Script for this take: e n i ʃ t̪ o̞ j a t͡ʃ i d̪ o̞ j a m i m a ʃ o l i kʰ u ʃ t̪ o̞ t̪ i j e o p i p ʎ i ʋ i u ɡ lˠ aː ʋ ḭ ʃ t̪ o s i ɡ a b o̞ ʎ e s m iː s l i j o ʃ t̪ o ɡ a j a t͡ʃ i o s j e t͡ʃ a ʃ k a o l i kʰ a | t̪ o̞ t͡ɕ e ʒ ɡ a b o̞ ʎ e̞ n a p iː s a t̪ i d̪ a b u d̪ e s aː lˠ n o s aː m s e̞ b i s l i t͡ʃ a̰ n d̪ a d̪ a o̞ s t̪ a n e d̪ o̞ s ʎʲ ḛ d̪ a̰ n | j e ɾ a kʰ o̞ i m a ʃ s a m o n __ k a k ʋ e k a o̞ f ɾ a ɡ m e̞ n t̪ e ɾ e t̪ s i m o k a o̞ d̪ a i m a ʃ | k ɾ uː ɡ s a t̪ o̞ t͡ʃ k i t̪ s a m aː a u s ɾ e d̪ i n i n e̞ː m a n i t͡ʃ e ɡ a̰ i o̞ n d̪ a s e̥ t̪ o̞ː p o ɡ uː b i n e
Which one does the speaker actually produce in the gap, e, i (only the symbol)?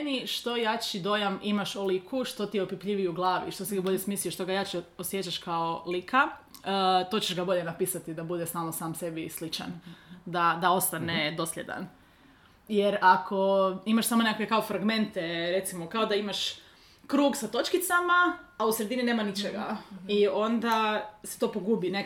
e